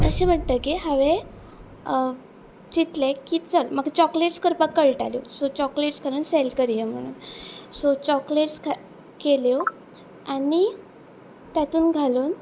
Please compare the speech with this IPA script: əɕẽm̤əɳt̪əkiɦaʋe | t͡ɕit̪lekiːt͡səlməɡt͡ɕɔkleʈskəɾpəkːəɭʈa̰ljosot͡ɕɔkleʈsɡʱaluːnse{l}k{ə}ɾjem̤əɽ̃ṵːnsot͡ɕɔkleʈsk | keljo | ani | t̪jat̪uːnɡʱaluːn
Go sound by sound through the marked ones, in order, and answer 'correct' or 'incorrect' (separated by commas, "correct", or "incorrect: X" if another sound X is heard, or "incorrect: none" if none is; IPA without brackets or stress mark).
correct, correct